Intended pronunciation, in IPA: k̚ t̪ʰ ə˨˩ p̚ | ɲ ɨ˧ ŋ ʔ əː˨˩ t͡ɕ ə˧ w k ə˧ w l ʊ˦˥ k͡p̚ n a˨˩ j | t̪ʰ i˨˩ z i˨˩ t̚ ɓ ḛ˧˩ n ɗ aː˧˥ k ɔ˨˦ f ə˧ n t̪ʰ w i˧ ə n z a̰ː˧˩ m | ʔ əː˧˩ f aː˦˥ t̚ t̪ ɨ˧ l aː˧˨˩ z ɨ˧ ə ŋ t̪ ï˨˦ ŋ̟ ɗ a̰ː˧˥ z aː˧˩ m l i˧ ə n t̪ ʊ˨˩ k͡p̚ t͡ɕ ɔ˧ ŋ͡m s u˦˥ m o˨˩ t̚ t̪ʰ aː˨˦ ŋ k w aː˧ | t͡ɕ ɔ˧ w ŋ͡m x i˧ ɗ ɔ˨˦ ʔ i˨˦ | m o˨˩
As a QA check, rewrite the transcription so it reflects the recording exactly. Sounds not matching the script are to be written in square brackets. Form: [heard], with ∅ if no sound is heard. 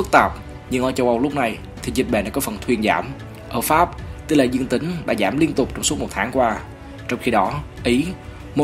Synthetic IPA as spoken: k̚ [t̪] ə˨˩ p̚ | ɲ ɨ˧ ŋ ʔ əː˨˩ t͡ɕ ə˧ w [ʔ] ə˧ w l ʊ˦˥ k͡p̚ n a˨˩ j | t̪ʰ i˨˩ z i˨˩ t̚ ɓ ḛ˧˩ n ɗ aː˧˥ k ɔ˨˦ f [ə˨˩] n t̪ʰ w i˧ ə n z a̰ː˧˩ m | ʔ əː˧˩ f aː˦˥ [p̚] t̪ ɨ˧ l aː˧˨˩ z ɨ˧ ə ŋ t̪ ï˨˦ ŋ̟ ɗ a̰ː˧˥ z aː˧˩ m l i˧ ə n t̪ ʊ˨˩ k͡p̚ t͡ɕ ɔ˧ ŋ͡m s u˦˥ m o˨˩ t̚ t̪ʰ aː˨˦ ŋ k w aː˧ | t͡ɕ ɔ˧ w ŋ͡m x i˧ ɗ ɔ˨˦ ʔ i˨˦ | m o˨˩